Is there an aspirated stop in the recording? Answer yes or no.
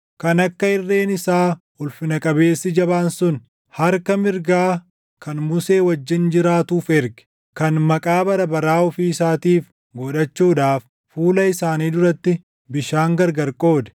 no